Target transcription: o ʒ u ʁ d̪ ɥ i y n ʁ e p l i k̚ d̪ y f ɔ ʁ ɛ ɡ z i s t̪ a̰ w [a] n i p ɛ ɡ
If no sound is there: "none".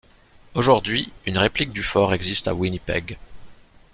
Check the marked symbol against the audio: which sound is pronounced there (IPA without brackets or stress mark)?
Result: i